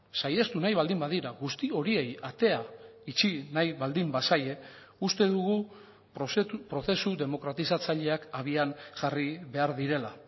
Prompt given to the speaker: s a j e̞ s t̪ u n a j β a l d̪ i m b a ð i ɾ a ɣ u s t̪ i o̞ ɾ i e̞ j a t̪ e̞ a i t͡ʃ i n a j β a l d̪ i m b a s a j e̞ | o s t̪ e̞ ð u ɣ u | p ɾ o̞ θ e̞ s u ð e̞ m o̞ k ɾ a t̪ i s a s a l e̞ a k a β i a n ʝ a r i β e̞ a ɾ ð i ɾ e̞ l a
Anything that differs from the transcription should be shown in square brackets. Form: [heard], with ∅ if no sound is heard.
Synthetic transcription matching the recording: s a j e̞ s t̪ u n a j β a l d̪ i m b a ð i ɾ a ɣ u s t̪ i o̞ ɾ i e̞ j a t̪ e̞ a i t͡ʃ i n a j β a l d̪ i m b a s a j e̞ | [u] s t̪ e̞ ð u ɣ u | p ɾ o̞ θ e̞ s u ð e̞ m o̞ k ɾ a t̪ i s a [t͡s] a [ʎ] e̞ a k a β i a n ʝ a r i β e̞ a ɾ ð i ɾ e̞ l a